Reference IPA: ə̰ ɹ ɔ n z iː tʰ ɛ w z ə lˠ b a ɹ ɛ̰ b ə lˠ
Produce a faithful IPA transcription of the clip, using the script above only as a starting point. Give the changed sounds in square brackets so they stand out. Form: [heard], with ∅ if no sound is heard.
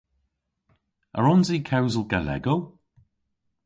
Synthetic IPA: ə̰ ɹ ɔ n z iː [kʰ] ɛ w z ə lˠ [ɡ] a [l] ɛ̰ [ɡ] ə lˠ